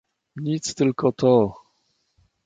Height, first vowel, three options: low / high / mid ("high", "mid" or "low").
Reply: high